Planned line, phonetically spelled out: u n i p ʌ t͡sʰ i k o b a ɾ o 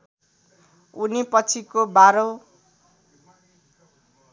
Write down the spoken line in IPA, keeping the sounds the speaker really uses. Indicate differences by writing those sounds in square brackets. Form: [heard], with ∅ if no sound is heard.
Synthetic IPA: u n i p ʌ t͡sʰ i k o b a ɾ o